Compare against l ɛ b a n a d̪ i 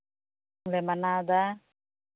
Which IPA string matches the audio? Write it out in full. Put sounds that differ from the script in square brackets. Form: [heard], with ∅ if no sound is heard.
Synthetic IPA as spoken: l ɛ [m] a n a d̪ [a]